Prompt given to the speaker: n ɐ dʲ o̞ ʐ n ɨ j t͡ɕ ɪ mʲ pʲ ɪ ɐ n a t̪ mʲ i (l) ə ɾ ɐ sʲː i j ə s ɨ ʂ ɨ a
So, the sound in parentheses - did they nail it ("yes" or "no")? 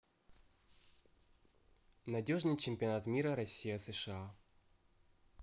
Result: no